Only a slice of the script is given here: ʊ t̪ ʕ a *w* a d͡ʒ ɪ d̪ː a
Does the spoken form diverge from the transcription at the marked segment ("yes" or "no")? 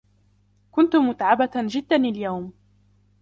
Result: yes